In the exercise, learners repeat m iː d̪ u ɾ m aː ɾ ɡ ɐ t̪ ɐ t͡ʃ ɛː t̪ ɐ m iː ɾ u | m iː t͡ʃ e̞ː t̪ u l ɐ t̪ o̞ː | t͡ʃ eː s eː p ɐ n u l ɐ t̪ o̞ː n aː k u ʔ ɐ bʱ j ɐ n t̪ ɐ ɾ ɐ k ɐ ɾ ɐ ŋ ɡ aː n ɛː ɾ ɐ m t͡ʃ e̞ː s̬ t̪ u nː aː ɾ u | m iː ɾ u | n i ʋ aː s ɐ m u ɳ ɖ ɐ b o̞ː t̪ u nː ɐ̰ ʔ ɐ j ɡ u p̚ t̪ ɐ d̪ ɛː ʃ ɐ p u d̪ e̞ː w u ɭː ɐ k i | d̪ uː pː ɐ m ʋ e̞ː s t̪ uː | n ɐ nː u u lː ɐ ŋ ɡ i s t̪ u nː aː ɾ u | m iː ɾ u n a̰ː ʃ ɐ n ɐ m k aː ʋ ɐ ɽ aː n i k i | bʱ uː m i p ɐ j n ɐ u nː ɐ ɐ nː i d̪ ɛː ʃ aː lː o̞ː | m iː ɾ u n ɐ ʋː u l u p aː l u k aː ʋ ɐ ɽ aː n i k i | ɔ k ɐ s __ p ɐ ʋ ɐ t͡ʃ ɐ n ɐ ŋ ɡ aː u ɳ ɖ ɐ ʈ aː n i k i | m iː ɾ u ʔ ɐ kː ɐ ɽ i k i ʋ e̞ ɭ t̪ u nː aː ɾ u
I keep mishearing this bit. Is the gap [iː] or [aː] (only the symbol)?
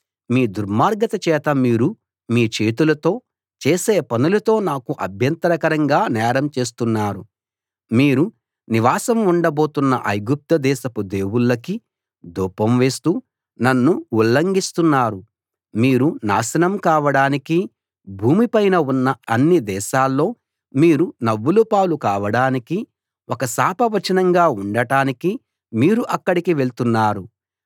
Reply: aː